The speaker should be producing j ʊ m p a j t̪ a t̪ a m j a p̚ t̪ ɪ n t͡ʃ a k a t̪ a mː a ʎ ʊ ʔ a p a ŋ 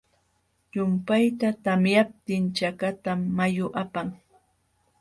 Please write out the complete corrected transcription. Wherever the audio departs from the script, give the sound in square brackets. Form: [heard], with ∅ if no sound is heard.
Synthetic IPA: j ʊ m p a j t̪ a t̪ a m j a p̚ t̪ ɪ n t͡ʃ a k a t̪ a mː a [j] ʊ ʔ a p a ŋ